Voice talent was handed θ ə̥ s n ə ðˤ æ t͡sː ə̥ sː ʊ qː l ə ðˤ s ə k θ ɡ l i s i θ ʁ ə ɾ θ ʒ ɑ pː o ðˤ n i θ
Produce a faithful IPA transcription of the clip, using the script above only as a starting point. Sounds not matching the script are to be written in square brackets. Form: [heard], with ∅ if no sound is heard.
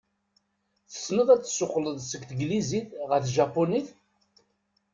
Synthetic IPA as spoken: θ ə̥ s n ə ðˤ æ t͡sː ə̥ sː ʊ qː l ə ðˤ s ə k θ ɡ l i [z] i θ ʁ ə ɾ θ ʒ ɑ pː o [∅] n i θ

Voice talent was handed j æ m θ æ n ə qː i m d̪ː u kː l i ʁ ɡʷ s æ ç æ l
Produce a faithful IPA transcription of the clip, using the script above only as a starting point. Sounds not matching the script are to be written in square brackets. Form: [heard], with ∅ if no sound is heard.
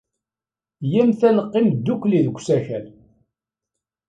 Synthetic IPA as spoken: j æ m θ æ n ə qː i m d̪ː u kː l i [ð] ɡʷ s æ ç æ l

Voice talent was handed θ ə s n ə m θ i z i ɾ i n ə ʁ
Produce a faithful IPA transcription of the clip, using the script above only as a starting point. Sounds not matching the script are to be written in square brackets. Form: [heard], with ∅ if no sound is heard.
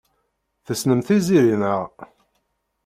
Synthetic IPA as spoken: θ ə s n ə m θ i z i ɾ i n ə ʁ

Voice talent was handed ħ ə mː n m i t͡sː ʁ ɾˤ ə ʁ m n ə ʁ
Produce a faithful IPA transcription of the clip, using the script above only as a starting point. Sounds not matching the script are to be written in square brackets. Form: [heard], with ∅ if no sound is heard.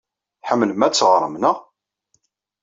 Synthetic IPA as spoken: ħ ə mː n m [æ] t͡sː ʁ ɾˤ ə [∅] m n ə ʁ

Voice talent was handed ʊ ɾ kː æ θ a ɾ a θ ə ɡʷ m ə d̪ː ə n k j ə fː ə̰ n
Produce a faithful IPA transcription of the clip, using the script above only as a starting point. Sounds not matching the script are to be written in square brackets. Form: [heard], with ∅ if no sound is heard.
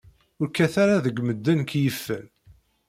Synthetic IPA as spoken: ʊ ɾ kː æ θ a ɾ a [ð] ə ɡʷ m ə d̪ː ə n k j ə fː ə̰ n

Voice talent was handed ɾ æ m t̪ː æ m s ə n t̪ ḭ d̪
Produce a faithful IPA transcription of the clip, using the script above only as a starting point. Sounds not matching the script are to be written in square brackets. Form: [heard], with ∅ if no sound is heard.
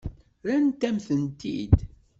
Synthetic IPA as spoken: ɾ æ [n] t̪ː æ m [θ] ə n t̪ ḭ d̪

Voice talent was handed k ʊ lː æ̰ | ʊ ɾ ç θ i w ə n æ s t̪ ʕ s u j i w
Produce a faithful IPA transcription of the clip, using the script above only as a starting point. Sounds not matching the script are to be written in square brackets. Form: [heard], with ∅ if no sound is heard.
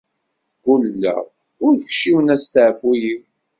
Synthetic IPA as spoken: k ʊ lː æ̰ | ʊ ɾ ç [ʃ] i w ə n æ s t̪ ʕ [f] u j i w

